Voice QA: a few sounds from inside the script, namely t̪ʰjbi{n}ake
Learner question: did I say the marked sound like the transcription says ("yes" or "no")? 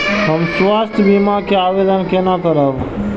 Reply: no